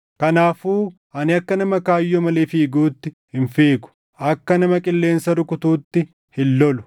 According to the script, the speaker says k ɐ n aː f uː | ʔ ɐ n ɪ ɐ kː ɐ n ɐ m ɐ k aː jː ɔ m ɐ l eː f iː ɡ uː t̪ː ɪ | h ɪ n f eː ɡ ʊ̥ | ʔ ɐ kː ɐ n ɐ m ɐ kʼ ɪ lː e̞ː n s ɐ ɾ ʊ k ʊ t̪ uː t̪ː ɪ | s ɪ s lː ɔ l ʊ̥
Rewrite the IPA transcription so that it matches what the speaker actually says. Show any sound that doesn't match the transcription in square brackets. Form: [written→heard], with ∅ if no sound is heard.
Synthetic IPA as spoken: k ɐ n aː f uː | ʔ ɐ n ɪ ɐ kː ɐ n ɐ m ɐ k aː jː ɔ m ɐ l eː f iː ɡ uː t̪ː ɪ | h ɪ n f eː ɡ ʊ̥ | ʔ ɐ kː ɐ n ɐ m ɐ kʼ ɪ lː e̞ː n s ɐ ɾ ʊ k ʊ t̪ uː t̪ː ɪ | [s→h] ɪ [s→∅] lː ɔ l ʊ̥

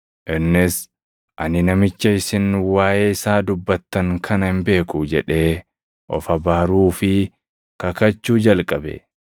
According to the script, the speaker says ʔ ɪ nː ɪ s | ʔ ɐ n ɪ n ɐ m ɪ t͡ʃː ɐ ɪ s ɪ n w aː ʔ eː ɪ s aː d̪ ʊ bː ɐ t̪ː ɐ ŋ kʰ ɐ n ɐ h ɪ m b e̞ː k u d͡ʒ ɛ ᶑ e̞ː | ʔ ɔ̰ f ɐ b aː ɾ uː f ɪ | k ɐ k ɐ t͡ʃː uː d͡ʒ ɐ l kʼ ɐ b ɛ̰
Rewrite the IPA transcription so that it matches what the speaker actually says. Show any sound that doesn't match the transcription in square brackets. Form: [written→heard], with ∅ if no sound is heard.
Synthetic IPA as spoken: ʔ ɪ nː ɪ s | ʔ ɐ n ɪ n ɐ m ɪ t͡ʃː ɐ ɪ s ɪ n w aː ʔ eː ɪ s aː d̪ ʊ bː ɐ t̪ː ɐ ŋ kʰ ɐ n ɐ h ɪ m b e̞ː k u d͡ʒ ɛ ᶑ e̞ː | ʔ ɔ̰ f ɐ b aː ɾ uː f ɪ | k ɐ k ɐ t͡ʃː uː d͡ʒ ɐ l kʼ ɐ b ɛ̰

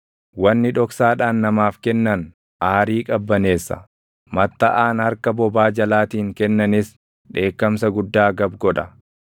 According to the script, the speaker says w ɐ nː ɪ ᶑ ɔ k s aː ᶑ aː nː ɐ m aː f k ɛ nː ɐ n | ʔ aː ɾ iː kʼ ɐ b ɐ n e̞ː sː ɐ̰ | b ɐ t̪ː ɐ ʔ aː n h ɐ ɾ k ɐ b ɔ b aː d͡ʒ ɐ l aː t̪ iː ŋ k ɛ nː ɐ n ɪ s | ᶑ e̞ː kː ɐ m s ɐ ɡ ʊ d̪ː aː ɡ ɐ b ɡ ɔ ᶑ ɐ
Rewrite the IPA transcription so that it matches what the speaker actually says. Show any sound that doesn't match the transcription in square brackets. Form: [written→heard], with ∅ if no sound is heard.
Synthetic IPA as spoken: w ɐ nː ɪ ᶑ ɔ k s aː ᶑ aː nː ɐ m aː f k ɛ nː ɐ n | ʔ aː ɾ iː kʼ ɐ [b→bː] ɐ n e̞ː sː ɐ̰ | [b→m] ɐ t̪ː ɐ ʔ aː n h ɐ ɾ k ɐ b ɔ b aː d͡ʒ ɐ l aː t̪ iː ŋ k ɛ nː ɐ n ɪ s | ᶑ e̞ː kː ɐ m s ɐ ɡ ʊ d̪ː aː ɡ ɐ b ɡ ɔ ᶑ ɐ

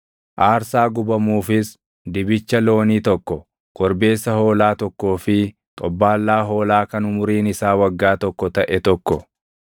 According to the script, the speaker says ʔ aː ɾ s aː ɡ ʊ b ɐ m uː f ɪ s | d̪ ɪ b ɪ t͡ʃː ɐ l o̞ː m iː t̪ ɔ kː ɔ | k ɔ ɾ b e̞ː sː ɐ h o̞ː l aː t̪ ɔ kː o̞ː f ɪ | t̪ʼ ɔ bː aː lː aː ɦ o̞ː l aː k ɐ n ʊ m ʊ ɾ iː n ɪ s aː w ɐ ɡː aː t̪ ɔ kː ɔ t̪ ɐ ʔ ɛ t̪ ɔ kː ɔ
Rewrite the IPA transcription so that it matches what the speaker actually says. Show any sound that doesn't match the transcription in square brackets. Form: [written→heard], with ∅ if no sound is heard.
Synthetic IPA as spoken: ʔ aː ɾ s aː ɡ ʊ b ɐ m uː f ɪ s | d̪ ɪ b ɪ t͡ʃː ɐ l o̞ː [m→n] iː t̪ ɔ kː ɔ | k ɔ ɾ b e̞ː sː ɐ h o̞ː l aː t̪ ɔ kː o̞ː f ɪ | t̪ʼ ɔ bː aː lː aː ɦ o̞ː l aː k ɐ n ʊ m ʊ ɾ iː n ɪ s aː w ɐ ɡː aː t̪ ɔ kː ɔ t̪ ɐ ʔ ɛ t̪ ɔ kː ɔ

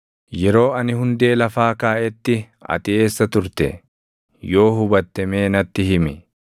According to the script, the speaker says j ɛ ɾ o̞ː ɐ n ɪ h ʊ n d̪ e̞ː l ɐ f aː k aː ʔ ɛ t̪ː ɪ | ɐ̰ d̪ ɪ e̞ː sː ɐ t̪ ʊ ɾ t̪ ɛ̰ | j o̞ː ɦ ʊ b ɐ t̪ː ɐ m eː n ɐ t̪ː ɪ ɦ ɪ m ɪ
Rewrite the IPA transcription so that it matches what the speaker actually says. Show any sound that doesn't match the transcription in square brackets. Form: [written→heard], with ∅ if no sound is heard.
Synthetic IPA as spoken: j ɛ ɾ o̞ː ɐ n ɪ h ʊ n d̪ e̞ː l ɐ f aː k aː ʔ ɛ t̪ː ɪ | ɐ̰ [d̪→t̪] ɪ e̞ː sː ɐ t̪ ʊ ɾ t̪ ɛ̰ | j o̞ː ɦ ʊ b ɐ t̪ː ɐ m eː n ɐ t̪ː ɪ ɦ ɪ m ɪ

